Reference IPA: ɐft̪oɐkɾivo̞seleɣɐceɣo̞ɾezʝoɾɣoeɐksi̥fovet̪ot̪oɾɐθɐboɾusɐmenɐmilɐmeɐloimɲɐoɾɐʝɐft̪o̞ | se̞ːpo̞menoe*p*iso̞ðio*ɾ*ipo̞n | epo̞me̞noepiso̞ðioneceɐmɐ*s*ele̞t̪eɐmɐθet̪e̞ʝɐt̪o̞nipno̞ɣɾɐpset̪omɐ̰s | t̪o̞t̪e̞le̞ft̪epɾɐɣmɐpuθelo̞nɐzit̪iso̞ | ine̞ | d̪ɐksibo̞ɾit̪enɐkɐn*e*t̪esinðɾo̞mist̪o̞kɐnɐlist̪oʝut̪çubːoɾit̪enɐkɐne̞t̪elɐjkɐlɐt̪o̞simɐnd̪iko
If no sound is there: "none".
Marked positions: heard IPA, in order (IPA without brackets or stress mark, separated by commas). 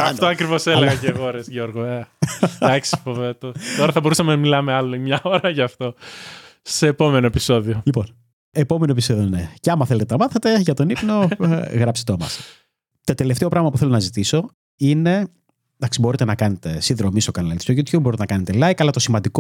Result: p, l, θ, e